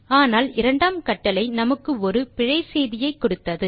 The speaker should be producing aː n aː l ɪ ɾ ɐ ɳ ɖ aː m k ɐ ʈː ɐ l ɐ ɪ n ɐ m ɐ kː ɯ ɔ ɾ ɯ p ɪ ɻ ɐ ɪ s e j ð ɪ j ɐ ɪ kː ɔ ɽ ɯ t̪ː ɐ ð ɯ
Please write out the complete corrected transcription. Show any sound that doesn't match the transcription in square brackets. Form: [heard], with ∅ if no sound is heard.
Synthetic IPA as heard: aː n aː l ɪ ɾ ɐ ɳ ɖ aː m k ɐ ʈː ɐ l ɐ ɪ n ɐ m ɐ kː ɯ ɔ ɾ ɯ p ɪ ɻ ɐ ɪ s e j ð ɪ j ɐ ɪ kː ɔ ɽ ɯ t̪ː ɐ ð ɯ